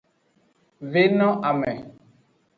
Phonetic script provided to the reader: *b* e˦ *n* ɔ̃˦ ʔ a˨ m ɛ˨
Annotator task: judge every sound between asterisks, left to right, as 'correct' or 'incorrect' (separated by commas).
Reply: incorrect, correct